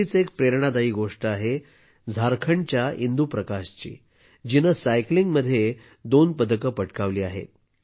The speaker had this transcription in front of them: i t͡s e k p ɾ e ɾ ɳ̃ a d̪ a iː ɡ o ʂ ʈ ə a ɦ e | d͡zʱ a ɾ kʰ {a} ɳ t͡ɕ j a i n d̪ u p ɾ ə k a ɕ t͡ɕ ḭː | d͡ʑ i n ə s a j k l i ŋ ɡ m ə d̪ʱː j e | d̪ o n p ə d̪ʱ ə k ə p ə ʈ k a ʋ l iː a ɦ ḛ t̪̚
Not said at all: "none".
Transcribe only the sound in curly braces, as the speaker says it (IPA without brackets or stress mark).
ə